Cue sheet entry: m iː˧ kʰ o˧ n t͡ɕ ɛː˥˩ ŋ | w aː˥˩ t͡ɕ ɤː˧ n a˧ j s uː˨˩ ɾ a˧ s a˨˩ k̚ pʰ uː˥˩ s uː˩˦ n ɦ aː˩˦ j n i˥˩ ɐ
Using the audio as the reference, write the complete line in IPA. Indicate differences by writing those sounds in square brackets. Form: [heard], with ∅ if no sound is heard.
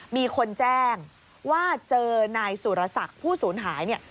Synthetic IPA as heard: m iː˧ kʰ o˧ n t͡ɕ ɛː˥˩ ŋ | w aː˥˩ t͡ɕ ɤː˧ n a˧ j s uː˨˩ ɾ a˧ s a˨˩ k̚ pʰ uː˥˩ s uː˩˦ n ɦ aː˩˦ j n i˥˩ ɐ